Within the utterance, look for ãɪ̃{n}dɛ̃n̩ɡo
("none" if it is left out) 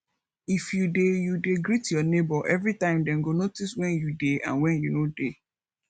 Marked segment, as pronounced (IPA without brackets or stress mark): m